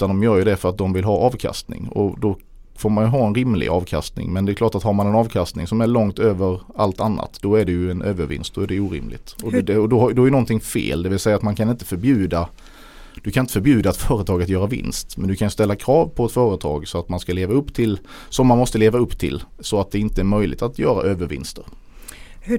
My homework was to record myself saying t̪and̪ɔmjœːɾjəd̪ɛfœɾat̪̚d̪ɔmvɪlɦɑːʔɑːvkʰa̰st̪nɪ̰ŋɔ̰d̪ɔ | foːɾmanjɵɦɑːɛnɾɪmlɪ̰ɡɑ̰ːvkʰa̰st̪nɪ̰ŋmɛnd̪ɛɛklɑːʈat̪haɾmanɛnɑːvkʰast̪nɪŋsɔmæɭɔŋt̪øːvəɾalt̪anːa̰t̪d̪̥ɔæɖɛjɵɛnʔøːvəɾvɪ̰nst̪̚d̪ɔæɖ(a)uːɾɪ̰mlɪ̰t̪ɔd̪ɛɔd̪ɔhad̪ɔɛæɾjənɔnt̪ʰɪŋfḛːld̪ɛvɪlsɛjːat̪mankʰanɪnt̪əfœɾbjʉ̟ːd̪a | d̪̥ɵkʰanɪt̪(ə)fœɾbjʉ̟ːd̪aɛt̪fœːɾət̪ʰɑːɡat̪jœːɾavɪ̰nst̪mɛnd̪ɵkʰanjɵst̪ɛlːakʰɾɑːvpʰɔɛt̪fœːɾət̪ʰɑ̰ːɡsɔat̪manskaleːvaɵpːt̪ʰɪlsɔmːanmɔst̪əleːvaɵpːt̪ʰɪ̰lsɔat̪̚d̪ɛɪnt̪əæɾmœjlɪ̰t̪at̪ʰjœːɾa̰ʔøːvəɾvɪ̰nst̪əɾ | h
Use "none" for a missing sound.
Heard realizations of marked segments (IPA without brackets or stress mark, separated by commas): ɛ, ə